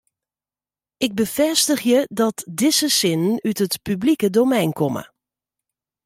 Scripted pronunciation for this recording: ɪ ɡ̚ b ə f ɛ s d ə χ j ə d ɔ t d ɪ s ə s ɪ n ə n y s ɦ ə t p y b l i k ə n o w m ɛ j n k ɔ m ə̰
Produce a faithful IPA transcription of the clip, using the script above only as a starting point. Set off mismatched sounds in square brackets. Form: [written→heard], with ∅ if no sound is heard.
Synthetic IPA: ɪ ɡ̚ b ə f ɛ s [d→t] ə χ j ə d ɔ t d ɪ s ə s ɪ n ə n y [s→t] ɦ ə t p y b l i k ə [n→d] o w m ɛ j n k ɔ m ə̰